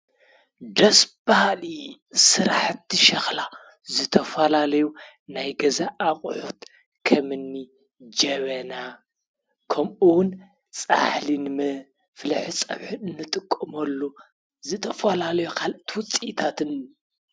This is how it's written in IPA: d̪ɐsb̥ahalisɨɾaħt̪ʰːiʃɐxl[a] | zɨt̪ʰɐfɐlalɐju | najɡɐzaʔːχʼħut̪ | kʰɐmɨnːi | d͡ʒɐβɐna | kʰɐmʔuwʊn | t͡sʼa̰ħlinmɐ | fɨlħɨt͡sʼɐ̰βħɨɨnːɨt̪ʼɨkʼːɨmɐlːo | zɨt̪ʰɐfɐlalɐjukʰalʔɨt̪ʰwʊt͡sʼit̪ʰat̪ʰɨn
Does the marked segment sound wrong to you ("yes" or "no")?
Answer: no